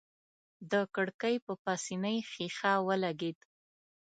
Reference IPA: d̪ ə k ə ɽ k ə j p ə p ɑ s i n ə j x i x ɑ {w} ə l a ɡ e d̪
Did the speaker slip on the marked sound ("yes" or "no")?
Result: no